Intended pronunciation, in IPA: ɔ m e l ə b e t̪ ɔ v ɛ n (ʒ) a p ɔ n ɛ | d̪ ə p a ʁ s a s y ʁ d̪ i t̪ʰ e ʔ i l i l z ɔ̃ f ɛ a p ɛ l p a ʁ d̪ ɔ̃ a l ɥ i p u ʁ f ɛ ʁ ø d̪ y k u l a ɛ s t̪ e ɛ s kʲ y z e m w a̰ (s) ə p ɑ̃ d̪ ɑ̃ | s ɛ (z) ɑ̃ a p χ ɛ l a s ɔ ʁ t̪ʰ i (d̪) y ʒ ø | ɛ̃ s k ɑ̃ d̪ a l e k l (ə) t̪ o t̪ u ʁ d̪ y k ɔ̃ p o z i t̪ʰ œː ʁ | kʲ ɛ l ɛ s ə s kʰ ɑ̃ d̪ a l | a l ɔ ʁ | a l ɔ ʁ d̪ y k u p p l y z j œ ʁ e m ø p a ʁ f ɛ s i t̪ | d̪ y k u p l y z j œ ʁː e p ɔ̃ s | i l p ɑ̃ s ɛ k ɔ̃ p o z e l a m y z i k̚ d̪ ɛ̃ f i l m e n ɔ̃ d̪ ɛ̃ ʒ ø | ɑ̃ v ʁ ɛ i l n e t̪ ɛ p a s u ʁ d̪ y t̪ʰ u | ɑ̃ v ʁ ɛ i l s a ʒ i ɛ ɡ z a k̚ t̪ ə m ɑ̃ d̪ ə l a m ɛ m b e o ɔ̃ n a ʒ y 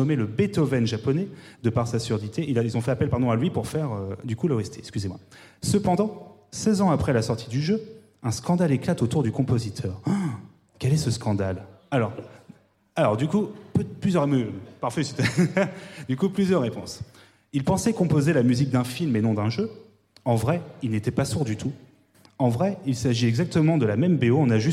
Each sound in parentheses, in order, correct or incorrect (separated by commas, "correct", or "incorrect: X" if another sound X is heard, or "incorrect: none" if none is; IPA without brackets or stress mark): correct, correct, correct, correct, incorrect: a